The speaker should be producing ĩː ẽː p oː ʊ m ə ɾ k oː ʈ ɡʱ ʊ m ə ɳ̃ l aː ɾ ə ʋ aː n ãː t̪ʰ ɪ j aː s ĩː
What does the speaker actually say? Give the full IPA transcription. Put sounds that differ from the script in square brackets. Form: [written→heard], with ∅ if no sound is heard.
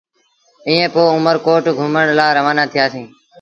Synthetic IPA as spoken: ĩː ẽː p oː ʊ m ə ɾ k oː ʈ ɡʱ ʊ m ə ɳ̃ l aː ɾ ə ʋ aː n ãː t̪ʰ ɪ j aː s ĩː